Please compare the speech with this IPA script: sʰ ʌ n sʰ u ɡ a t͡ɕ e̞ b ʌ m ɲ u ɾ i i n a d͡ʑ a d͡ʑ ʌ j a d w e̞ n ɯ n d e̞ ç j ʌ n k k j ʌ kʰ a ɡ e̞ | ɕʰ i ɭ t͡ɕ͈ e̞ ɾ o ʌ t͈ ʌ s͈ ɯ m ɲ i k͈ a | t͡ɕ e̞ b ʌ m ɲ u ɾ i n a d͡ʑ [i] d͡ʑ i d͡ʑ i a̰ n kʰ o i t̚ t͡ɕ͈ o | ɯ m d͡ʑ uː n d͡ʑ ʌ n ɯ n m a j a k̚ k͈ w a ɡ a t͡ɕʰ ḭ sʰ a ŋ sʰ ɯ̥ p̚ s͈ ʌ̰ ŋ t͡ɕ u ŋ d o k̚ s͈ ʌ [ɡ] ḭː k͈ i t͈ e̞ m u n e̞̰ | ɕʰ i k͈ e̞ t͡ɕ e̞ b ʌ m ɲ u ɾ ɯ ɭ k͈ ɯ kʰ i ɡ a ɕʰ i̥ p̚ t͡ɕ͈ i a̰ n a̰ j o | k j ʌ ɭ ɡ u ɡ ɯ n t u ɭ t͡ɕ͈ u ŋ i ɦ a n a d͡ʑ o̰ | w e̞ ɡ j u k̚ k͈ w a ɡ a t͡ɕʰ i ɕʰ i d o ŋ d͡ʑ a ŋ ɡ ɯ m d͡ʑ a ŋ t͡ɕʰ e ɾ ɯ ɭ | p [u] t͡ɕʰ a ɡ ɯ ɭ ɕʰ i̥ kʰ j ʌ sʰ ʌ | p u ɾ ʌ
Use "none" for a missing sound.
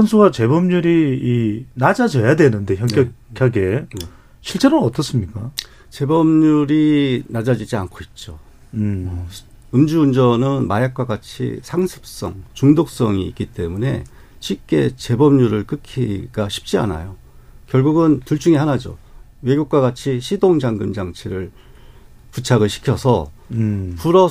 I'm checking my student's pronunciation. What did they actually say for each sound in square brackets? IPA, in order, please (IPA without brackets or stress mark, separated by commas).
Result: a, ŋ, u